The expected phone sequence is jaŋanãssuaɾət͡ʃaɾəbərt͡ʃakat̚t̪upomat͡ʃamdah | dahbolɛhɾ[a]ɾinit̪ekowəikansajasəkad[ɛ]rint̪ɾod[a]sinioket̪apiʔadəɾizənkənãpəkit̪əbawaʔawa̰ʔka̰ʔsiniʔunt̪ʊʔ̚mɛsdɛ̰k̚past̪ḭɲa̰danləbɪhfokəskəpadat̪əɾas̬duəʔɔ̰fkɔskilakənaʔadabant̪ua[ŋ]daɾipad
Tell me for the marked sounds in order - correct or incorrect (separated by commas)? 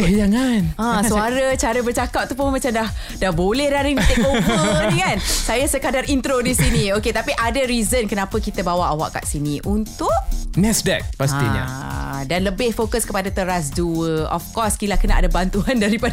correct, incorrect, incorrect, incorrect